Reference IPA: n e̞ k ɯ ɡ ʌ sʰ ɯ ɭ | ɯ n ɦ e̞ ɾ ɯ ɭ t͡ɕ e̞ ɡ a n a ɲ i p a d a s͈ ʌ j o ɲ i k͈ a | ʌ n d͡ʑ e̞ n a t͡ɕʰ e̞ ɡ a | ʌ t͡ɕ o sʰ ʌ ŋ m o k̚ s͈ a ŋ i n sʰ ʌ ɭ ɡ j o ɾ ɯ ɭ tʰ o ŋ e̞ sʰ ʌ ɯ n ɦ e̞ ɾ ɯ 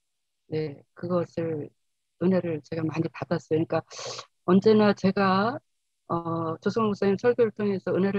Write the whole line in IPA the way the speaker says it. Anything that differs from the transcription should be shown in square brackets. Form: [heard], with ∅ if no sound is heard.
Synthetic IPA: n e̞ k ɯ ɡ ʌ sʰ ɯ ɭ | ɯ n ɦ e̞ ɾ ɯ ɭ t͡ɕ e̞ ɡ a [m] a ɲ i p a d a s͈ ʌ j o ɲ i k͈ a | ʌ n d͡ʑ e̞ n a [t͡ɕ] e̞ ɡ a | ʌ t͡ɕ o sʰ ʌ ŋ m o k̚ s͈ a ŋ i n sʰ ʌ ɭ ɡ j o ɾ ɯ ɭ tʰ o ŋ e̞ sʰ ʌ ɯ n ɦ e̞ ɾ ɯ